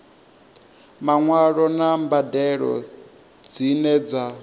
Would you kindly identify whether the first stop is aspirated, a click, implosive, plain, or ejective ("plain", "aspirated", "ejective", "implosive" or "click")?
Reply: plain